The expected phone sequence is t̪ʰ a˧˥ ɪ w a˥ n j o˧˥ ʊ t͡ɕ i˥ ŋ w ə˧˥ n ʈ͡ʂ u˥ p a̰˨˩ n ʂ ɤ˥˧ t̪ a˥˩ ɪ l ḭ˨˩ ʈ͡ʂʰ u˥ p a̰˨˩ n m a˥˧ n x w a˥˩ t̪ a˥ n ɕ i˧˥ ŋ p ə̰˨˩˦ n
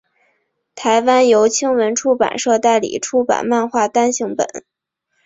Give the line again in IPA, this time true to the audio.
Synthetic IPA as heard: t̪ʰ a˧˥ ɪ w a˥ n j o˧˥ ʊ t͡ɕʰ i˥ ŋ w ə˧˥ n ʈ͡ʂʰ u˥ p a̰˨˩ n ʂ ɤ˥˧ t̪ a˥˩ ɪ l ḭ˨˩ ʈ͡ʂʰ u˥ p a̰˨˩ n m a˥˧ n x w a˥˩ t̪ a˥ n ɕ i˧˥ ŋ p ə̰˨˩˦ n